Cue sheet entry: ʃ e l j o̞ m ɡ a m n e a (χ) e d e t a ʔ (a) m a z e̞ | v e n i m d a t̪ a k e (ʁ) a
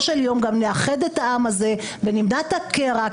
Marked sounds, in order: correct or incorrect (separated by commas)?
correct, correct, correct